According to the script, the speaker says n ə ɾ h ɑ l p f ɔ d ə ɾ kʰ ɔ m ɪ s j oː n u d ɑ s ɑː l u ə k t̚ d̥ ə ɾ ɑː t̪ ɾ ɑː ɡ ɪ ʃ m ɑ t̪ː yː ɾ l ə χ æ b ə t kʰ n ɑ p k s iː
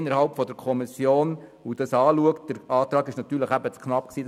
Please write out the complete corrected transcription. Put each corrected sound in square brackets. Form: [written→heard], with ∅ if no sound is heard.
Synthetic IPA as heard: n ə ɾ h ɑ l p f ɔ d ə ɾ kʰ ɔ m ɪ s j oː n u d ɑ s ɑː l u ə k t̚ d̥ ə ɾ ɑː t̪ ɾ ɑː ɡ ɪ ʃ [m→n] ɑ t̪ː yː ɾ l ə χ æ b ə [t→t͡s] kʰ n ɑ p k s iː